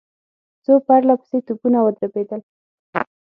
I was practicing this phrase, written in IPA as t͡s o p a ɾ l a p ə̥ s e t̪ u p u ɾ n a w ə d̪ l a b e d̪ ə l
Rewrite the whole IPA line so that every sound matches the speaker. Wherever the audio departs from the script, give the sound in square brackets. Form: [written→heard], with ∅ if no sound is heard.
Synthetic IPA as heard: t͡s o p a ɾ l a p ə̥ s e t̪ u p u [ɾ→∅] n a w ə d̪ [l→ɾ] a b e d̪ ə l

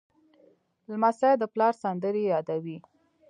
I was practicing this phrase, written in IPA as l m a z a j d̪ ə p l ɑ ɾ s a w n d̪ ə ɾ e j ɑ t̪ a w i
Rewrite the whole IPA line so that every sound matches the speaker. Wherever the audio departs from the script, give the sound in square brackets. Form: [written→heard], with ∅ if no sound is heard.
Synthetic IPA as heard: l m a [z→s] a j d̪ ə p l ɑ ɾ s a [w→∅] n d̪ ə ɾ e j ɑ [t̪→d̪] a w i

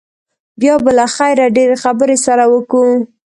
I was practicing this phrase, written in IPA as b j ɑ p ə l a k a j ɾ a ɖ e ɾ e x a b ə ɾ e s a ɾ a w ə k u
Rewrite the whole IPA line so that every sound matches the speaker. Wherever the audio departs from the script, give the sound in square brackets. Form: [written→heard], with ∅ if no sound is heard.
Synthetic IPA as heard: b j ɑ [p→b] ə l a [k→x] a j ɾ a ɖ e ɾ e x a b ə ɾ e s a ɾ a w ə k u

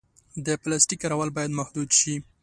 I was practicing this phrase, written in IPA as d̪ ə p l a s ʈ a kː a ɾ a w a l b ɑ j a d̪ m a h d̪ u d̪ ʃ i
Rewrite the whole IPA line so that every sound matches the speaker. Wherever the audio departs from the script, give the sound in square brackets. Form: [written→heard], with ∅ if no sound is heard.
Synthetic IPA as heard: d̪ ə p l a s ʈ [a→i] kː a ɾ a w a l b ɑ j a d̪ m a h d̪ u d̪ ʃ i

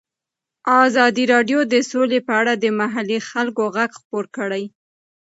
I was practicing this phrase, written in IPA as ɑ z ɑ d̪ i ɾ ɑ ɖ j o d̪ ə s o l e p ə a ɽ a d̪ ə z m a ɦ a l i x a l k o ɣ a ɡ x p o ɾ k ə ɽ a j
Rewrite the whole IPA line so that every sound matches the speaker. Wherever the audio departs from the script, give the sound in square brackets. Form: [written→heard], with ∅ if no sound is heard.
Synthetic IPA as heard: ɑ z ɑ d̪ i ɾ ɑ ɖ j o d̪ ə s o l e p ə a ɽ a d̪ ə [z→∅] m a ɦ a l i x a l k o ɣ a ɡ x p o ɾ k ə ɽ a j

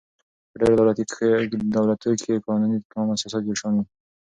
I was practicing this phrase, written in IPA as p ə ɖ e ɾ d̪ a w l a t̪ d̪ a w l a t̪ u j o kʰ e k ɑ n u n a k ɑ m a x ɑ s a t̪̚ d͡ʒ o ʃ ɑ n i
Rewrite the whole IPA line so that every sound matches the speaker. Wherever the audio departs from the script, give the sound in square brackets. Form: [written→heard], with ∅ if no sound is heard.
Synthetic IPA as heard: p ə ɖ e ɾ d̪ a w l a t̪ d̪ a w l a t̪ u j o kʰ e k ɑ n u n [a→i] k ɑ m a [x→s] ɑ s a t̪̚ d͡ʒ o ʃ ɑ n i

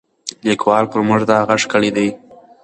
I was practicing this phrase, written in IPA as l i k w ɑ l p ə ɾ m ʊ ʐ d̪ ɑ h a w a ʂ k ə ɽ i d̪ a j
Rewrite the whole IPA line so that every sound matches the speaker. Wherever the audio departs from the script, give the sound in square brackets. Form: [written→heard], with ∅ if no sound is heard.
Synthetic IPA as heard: l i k w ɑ l p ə ɾ m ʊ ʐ d̪ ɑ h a [w→ɣ] a ʂ k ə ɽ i d̪ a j

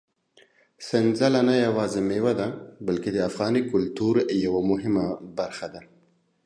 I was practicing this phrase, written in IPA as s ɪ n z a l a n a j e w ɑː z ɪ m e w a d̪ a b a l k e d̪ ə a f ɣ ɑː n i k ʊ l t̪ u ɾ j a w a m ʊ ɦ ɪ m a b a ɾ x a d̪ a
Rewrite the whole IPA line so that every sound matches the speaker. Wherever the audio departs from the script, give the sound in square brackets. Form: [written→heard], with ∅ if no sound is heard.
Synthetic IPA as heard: s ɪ n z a l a n a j [e→a] w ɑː z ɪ m e w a d̪ a b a l k e d̪ ə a f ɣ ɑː n i k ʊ l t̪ u ɾ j a w a m ʊ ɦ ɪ m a b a ɾ x a d̪ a

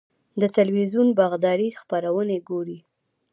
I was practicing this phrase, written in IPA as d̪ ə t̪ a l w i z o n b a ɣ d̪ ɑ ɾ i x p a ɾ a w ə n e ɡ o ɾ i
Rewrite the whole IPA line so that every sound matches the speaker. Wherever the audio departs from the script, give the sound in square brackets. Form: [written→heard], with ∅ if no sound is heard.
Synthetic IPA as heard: d̪ ə t̪ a l w i z [o→u] n b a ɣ d̪ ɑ ɾ i x p a ɾ a w ə n e ɡ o ɾ i

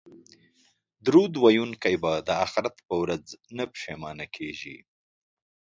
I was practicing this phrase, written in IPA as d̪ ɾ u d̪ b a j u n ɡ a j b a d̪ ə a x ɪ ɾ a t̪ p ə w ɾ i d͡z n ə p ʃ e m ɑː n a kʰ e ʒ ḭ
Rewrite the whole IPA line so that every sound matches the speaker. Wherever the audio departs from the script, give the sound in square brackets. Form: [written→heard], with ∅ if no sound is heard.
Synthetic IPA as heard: d̪ ɾ u d̪ [b→w] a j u n [ɡ→k] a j b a d̪ ə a x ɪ ɾ a t̪ p ə w ɾ [i→a] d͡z n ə p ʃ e m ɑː n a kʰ e ʒ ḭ

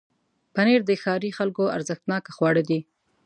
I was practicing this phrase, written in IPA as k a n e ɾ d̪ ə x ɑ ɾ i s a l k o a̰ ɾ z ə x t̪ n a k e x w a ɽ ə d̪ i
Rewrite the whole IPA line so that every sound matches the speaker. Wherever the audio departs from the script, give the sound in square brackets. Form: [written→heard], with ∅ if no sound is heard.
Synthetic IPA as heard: [k→p] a n e ɾ d̪ ə x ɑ ɾ i [s→x] a l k o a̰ ɾ z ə x t̪ n [a→ɑ] k [e→a] x w [a→ɑ] ɽ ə d̪ i

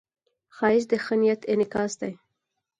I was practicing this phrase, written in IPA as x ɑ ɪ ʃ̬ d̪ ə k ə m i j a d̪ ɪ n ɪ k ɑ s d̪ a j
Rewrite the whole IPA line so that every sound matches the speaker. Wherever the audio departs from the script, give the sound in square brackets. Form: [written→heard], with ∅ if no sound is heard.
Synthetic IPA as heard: x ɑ ɪ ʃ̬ d̪ ə [k→x] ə [m→n] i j a [d̪→t̪] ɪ n ɪ k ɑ s d̪ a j

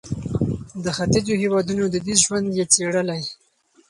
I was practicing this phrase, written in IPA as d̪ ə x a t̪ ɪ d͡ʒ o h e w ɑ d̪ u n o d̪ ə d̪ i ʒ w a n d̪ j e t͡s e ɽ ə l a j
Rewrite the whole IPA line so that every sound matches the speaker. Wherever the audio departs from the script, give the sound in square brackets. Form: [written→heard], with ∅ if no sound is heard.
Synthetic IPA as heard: d̪ ə x a t̪ ɪ d͡ʒ o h e w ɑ d̪ u n o d̪ ə d̪ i ʒ w a n d̪ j e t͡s e ɽ ə l a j

